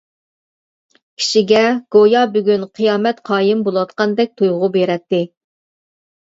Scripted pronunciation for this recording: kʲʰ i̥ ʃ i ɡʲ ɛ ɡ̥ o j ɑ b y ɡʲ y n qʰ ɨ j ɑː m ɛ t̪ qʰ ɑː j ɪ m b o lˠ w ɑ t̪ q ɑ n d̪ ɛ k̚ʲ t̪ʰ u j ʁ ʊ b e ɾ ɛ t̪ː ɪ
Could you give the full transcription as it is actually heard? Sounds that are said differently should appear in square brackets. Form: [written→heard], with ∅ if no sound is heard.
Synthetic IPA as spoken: kʲʰ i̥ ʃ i ɡʲ ɛ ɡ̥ o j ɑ b y ɡʲ y n qʰ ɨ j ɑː m ɛ t̪ qʰ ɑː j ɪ m b o lˠ w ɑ t̪ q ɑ n d̪ ɛ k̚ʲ t̪ʰ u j ʁ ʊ b e ɾ ɛ t̪ː ɪ